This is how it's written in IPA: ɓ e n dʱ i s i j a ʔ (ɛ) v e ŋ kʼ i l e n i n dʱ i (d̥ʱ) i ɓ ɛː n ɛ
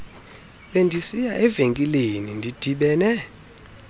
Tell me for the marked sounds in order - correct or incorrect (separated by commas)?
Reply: correct, correct